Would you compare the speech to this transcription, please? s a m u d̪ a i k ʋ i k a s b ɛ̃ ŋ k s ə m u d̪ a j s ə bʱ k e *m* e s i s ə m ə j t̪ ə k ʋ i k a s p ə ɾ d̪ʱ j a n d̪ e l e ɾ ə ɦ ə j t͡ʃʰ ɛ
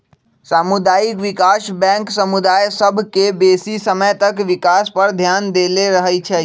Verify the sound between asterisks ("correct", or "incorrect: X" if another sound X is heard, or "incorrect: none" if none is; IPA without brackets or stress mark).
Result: incorrect: b